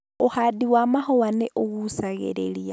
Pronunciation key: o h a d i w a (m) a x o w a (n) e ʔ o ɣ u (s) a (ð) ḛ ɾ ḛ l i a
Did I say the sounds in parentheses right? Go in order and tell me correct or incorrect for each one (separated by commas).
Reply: correct, correct, correct, incorrect